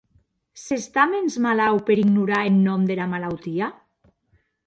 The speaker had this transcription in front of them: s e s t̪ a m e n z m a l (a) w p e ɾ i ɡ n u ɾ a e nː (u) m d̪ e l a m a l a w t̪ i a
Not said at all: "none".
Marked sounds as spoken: a, ɔ

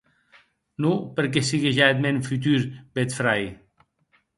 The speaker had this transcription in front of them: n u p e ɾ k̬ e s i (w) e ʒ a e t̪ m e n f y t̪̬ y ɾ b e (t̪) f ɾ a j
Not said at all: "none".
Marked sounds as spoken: ɣ, t̪

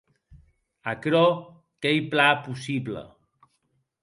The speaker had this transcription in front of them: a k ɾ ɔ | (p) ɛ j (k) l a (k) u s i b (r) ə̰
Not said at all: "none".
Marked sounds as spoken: k, p, p, l

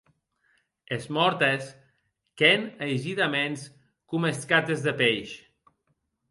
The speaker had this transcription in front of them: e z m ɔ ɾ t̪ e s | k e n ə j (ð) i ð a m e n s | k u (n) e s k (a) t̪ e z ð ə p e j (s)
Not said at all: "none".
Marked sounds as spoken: ʒ, m, a, ʃ

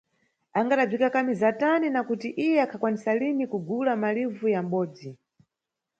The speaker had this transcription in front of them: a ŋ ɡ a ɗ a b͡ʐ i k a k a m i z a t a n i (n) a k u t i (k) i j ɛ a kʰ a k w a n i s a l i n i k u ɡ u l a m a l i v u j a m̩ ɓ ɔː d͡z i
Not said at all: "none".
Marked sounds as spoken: n, ʔ

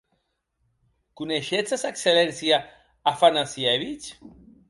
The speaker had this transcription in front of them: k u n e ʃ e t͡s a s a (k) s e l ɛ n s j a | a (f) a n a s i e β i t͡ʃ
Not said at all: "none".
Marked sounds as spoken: k, f

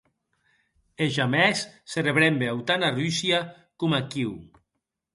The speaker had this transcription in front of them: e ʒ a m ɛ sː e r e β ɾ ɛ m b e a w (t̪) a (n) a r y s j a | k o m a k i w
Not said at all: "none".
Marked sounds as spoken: t̪, n

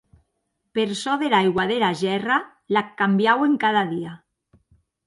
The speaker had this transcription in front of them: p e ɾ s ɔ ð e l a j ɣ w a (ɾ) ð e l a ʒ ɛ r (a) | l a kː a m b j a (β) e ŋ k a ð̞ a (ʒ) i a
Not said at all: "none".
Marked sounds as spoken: none, a, w, ð

